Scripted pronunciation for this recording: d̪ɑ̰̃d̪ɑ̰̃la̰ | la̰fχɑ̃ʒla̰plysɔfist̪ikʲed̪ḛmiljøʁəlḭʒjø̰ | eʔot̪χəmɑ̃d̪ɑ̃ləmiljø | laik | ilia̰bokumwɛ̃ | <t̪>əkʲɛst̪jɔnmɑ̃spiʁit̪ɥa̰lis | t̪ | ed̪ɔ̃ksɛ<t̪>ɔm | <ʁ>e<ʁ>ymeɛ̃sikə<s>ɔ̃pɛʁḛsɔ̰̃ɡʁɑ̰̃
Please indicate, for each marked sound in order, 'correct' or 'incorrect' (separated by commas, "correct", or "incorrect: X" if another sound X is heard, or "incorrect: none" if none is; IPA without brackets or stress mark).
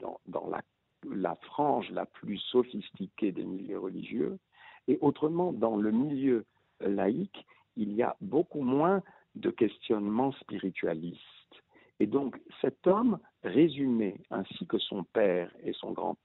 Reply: incorrect: d̪, correct, correct, incorrect: z, correct